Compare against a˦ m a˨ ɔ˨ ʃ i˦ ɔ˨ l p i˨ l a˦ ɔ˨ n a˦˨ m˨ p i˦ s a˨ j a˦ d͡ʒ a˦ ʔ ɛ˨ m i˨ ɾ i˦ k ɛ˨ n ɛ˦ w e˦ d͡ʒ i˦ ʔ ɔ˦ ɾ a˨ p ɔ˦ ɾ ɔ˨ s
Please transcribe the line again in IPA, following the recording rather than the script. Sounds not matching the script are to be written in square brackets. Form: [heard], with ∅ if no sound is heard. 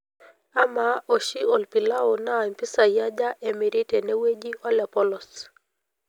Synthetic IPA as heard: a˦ m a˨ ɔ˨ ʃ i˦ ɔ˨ l p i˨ l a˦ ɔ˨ n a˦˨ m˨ p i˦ s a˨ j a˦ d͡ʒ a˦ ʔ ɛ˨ m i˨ ɾ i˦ [t] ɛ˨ n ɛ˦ w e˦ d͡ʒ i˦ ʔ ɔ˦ [l] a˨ p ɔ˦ [l] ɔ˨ s